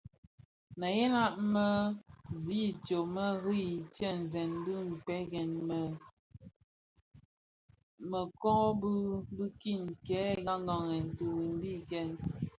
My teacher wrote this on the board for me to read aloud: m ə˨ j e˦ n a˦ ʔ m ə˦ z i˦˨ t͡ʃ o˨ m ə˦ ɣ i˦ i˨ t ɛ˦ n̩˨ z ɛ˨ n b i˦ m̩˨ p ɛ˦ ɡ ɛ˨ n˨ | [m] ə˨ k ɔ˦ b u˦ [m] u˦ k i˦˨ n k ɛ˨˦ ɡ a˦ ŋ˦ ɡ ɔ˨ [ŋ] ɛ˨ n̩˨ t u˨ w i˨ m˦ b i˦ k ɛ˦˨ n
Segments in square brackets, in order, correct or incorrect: correct, incorrect: b, correct

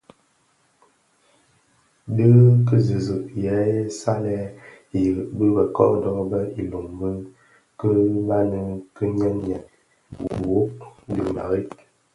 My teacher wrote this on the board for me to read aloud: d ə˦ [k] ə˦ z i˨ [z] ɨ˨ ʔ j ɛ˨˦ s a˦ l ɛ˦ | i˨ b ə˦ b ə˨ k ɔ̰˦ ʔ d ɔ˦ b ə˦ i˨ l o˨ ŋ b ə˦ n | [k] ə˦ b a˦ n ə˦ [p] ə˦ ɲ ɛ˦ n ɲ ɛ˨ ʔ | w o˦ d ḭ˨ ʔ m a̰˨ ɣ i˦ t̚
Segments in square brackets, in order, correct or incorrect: correct, correct, correct, incorrect: k

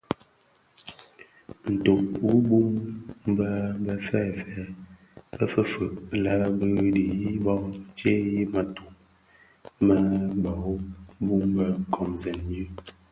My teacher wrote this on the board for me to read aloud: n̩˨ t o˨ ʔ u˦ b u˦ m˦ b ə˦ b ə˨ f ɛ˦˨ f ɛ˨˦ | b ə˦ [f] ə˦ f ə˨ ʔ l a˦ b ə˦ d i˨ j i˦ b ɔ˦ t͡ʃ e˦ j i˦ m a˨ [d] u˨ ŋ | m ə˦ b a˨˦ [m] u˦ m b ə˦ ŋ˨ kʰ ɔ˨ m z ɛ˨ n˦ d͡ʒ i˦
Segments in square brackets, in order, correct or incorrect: correct, incorrect: t, incorrect: b

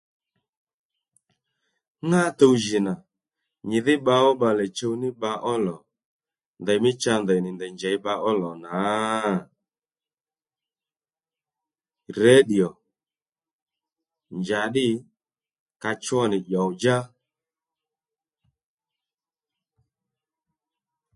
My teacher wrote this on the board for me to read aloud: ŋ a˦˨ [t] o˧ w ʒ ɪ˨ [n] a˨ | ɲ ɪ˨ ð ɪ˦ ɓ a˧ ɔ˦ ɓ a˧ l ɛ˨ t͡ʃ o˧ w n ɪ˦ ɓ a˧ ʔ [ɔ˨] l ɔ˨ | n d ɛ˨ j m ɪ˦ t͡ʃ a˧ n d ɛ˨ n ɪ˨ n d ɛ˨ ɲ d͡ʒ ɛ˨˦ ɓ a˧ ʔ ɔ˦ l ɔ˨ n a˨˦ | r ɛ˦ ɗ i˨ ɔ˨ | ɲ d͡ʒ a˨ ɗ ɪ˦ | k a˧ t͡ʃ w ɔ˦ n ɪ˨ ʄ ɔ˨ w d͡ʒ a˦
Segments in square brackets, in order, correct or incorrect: correct, correct, incorrect: ɔ˦

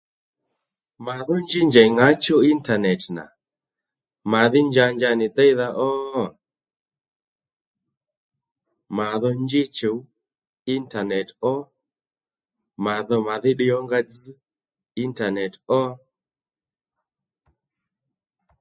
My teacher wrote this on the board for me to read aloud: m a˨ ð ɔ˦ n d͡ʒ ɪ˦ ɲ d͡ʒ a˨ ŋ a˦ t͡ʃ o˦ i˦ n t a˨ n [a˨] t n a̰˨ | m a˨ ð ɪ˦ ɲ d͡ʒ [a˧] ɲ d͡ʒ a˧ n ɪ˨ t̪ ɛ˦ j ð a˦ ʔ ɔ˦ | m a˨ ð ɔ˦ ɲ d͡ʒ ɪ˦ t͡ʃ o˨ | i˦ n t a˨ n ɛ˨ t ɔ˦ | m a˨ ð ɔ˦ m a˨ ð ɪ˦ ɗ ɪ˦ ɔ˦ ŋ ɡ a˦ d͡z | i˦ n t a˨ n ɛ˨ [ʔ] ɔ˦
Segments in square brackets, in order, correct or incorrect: incorrect: ɛ˨, correct, incorrect: t

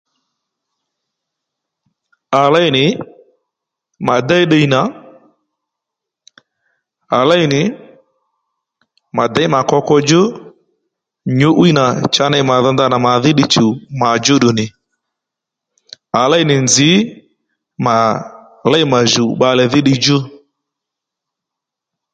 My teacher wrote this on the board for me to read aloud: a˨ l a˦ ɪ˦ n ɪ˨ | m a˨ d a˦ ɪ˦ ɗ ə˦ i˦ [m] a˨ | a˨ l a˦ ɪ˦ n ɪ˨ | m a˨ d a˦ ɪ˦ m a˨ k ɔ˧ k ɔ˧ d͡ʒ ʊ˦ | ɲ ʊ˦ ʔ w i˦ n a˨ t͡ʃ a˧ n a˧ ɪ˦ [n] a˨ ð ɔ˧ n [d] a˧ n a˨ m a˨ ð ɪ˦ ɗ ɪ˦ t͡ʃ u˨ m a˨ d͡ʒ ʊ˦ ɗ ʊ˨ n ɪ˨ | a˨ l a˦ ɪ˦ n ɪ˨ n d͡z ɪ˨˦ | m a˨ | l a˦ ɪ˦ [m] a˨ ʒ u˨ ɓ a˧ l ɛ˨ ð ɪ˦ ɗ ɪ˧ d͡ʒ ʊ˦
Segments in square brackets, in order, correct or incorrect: incorrect: n, incorrect: m, correct, correct

